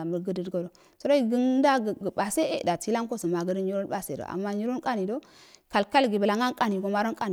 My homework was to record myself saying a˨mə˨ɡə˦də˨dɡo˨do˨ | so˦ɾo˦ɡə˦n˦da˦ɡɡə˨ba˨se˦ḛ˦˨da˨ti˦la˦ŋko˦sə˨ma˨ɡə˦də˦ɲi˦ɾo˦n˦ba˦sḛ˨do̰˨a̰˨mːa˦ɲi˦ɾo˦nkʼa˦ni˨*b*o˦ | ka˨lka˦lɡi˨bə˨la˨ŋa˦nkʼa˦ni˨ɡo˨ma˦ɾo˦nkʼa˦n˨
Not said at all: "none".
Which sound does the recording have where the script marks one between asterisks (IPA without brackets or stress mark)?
d